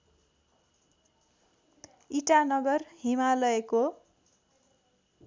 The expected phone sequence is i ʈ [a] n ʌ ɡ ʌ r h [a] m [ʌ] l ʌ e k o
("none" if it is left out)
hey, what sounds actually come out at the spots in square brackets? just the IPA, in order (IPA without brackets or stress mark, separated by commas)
a, i, a